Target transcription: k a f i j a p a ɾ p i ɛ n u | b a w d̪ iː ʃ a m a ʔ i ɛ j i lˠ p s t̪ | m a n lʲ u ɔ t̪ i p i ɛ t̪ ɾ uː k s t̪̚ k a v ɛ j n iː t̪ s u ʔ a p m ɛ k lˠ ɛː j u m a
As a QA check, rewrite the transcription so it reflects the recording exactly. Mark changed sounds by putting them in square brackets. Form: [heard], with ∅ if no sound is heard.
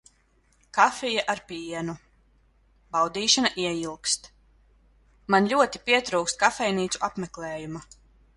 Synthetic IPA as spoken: k a f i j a [ʔ] a ɾ p i ɛ n u | b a w d̪ iː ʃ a [n] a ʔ i ɛ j i lˠ [k] s t̪ | m a n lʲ u ɔ t̪ i p i ɛ t̪ ɾ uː k s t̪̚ k a [f] ɛ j n iː t̪ s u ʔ a p m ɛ k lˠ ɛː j u m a